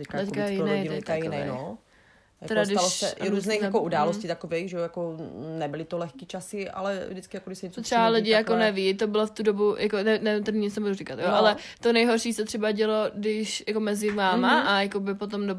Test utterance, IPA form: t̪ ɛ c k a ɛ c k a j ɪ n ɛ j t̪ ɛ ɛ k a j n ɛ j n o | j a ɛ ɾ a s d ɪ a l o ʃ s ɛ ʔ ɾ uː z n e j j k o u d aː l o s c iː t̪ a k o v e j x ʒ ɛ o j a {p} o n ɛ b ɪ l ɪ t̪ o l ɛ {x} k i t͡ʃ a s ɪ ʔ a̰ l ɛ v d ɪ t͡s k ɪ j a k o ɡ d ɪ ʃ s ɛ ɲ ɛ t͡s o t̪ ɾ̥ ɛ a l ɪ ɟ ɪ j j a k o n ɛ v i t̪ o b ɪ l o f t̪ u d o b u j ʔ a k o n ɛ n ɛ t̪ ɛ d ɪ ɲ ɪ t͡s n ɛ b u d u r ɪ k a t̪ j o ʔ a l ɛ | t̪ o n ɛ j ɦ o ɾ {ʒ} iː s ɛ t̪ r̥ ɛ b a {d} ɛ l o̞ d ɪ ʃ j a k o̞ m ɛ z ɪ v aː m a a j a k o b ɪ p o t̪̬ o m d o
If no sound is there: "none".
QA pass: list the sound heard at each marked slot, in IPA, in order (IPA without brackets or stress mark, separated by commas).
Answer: k, x, ʃ, ɟ